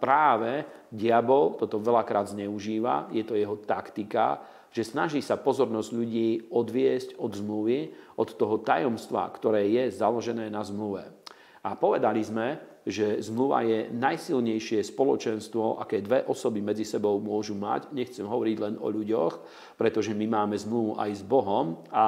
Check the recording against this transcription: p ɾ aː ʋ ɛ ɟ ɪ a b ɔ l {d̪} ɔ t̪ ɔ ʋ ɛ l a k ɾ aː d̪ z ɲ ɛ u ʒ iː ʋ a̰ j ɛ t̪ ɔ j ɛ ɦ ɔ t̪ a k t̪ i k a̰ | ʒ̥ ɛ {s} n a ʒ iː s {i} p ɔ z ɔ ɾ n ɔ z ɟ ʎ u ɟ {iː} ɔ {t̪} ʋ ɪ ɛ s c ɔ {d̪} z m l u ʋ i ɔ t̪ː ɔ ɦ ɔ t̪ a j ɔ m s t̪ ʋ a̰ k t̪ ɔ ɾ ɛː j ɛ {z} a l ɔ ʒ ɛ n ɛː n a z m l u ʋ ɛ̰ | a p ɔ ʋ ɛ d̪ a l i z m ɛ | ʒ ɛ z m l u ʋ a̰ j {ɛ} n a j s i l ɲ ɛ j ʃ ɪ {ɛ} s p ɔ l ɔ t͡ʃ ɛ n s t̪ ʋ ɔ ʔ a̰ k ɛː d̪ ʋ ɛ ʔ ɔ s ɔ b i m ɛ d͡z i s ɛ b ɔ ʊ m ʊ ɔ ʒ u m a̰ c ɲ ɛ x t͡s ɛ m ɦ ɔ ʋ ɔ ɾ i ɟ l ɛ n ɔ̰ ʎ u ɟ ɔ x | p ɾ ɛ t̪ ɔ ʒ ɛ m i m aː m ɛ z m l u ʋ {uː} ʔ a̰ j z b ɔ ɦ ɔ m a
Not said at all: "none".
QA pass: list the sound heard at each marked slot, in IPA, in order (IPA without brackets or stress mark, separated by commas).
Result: t̪, s, a, iː, d̪, d̪, z, ɛ, ɛ, u